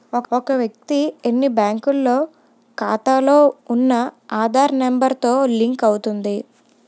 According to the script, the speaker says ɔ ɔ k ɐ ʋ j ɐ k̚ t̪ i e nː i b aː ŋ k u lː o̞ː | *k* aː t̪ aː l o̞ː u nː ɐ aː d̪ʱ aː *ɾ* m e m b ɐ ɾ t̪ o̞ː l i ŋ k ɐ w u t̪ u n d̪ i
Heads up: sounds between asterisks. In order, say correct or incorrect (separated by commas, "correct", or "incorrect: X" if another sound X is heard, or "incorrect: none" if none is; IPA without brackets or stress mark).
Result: correct, correct